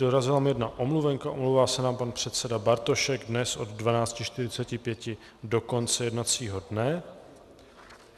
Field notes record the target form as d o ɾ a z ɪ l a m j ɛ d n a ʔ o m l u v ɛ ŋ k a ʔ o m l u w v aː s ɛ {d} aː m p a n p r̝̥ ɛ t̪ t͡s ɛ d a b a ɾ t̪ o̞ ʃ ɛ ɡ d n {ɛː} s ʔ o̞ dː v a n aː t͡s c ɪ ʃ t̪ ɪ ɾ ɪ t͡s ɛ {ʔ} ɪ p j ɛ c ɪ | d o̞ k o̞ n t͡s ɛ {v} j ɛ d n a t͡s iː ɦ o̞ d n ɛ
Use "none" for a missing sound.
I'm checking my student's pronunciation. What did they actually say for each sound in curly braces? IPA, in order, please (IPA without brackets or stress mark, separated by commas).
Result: n, ɛ, c, none